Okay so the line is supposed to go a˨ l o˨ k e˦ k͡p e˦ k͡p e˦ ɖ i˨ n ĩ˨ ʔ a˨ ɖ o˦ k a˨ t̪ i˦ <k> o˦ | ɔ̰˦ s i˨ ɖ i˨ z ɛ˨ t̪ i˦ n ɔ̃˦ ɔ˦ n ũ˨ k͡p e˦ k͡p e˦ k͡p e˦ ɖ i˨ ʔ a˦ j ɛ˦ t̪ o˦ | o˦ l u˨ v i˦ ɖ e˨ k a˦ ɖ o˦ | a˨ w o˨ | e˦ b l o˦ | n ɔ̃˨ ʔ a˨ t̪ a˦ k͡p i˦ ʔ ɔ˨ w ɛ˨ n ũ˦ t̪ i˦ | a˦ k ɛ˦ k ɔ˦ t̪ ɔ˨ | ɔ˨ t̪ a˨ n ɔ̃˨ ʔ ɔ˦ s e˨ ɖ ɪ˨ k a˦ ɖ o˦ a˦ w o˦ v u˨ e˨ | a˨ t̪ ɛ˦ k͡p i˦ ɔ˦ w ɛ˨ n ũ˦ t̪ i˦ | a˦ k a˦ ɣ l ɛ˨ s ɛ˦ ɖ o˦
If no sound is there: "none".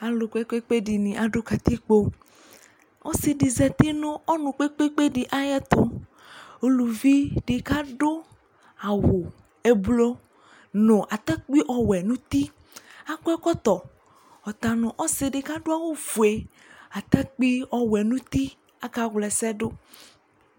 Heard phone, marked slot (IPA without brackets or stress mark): k͡p